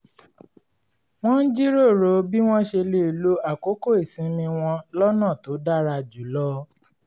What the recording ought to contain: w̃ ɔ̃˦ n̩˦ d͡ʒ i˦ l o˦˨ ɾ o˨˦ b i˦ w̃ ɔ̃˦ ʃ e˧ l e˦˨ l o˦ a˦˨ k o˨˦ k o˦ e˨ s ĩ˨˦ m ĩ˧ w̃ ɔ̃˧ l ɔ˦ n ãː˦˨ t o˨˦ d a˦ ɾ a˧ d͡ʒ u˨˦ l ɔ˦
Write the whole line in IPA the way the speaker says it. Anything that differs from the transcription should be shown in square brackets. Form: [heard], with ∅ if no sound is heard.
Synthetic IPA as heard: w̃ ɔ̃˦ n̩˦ d͡ʒ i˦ [ɾ] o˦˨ ɾ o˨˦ b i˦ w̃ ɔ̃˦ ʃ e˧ l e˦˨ l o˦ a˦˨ k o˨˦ k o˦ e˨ s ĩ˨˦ m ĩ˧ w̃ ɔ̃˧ l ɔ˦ n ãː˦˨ t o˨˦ d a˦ ɾ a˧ d͡ʒ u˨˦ l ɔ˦